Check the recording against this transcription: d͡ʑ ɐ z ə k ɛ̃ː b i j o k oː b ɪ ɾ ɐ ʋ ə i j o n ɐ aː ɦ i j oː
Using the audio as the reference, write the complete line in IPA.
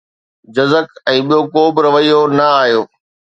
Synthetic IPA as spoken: d͡ʑ ɐ z ə k ɛ̃ː ɓ i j o k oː b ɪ ɾ ɐ ʋ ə i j o n ɐ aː ɦ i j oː